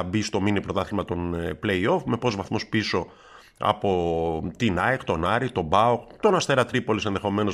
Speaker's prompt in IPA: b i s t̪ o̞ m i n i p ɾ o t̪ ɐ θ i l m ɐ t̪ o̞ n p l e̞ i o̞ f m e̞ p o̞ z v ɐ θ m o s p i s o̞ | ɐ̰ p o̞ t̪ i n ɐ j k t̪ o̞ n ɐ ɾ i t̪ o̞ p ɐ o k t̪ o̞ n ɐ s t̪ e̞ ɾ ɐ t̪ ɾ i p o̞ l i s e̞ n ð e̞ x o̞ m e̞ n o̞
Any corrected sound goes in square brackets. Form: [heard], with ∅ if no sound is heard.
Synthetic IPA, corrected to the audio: b i s t̪ o̞ m i n i p ɾ o t̪ ɐ θ i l m ɐ t̪ o̞ n p l e̞ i o̞ f m e̞ p o̞ z v ɐ θ m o s p i s o̞ | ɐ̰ p o̞ t̪ i n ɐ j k t̪ o̞ n ɐ ɾ i t̪ o̞ [b] ɐ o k t̪ o̞ n ɐ s t̪ e̞ ɾ ɐ t̪ ɾ i p o̞ l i s e̞ n ð e̞ x o̞ m e̞ n o̞